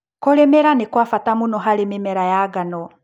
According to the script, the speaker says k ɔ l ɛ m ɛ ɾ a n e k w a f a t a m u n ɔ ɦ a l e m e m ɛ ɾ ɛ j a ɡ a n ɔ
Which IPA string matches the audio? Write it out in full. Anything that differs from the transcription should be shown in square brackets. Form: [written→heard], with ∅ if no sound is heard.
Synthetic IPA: k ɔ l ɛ m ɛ ɾ a n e k w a f a t a m u n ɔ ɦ a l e m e m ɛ ɾ [ɛ→a] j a ɡ a n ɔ